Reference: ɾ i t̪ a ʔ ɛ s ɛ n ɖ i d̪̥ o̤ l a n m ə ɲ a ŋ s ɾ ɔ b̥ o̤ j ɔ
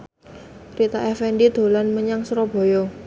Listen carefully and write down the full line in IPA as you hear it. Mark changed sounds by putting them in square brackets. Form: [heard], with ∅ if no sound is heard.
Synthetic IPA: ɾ i t̪ a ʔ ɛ [f] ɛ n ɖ i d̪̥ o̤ l a n m ə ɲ a ŋ s ɾ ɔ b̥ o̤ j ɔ